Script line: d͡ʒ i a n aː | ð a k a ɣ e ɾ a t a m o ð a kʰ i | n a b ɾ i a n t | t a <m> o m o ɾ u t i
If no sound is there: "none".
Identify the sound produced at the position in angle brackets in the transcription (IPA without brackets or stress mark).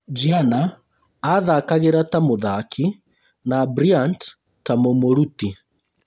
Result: m